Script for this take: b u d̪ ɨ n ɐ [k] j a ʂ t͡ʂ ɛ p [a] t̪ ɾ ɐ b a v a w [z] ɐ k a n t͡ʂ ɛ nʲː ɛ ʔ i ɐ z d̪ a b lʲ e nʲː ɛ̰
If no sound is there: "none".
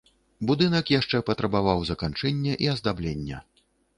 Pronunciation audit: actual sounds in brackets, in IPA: k, ɐ, z

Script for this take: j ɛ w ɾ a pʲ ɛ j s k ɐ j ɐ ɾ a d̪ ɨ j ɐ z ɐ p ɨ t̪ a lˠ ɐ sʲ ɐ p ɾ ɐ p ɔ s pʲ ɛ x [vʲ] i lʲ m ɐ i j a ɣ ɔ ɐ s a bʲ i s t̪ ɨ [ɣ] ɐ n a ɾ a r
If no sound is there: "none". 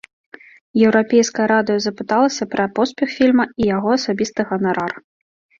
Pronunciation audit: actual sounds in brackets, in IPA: fʲ, ɣ

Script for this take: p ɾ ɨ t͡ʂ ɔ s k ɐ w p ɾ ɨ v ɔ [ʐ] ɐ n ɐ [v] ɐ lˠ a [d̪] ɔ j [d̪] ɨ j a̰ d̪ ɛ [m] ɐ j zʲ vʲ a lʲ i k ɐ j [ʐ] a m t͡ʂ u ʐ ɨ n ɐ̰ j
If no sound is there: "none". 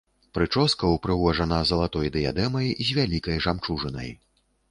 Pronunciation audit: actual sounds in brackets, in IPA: ʐ, z, t̪, d̪, m, ʐ

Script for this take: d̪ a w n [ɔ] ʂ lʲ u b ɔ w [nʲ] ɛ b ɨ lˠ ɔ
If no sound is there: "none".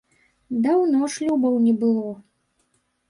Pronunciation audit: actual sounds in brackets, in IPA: ɔ, nʲ

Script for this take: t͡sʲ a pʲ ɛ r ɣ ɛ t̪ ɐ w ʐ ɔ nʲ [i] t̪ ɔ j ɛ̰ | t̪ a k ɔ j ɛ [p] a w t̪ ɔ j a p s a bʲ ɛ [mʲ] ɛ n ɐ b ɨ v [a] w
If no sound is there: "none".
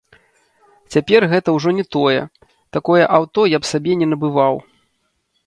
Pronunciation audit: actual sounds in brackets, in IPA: ɛ, ʔ, nʲ, a

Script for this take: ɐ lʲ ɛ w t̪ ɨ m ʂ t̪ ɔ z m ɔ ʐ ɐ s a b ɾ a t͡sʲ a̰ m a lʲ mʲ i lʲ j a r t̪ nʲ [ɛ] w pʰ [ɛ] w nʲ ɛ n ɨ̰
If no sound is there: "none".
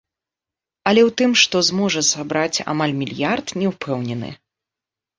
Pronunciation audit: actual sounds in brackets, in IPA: ɛ, ɛ

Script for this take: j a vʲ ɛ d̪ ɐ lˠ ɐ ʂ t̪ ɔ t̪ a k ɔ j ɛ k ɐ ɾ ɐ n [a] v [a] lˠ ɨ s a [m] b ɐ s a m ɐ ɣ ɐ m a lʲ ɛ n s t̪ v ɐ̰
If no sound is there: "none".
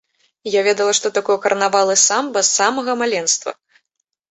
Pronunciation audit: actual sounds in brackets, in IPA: a, a, m

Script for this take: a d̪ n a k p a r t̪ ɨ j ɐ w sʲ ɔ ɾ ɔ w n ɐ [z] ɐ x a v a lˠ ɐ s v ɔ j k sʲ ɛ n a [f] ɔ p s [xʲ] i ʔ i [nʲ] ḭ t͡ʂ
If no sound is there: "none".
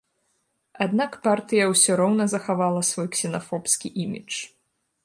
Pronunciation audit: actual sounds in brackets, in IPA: z, f, kʲ, mʲ

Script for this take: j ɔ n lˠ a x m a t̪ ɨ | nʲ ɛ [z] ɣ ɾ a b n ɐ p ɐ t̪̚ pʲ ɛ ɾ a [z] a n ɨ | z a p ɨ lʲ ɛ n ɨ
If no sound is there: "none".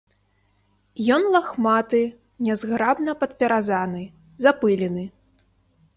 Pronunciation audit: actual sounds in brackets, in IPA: z, z

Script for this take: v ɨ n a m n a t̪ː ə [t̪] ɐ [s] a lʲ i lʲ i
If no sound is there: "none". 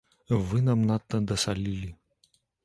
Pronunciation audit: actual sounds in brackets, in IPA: d̪, s

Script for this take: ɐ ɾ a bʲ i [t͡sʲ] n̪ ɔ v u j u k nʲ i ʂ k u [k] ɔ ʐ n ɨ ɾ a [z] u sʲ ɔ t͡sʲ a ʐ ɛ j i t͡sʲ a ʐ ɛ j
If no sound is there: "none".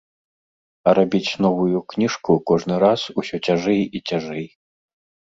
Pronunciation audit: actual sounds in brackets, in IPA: t͡sʲ, k, s

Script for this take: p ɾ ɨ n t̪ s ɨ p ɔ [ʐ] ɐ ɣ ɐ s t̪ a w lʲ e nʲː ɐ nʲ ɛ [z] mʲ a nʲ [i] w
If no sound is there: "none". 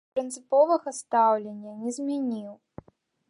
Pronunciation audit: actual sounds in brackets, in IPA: v, z, i

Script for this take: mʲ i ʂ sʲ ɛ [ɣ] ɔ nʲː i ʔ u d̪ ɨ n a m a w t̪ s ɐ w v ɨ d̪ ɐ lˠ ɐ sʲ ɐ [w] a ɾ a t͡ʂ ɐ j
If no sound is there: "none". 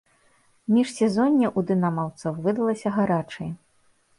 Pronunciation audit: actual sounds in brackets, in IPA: z, ɣ

